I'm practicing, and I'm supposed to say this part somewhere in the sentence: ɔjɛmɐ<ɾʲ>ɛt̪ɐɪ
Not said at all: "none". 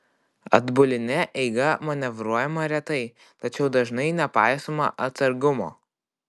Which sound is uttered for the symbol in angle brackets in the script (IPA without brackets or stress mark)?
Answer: ɾʲ